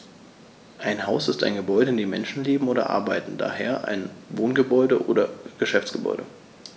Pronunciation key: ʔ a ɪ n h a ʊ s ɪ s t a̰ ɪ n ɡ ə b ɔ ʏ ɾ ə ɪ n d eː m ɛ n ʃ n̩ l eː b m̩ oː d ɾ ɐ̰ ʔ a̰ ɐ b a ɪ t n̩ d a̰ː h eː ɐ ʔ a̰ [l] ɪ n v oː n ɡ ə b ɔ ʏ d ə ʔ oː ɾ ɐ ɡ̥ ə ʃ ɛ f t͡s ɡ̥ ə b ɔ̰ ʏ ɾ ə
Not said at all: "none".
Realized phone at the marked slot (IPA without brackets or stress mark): none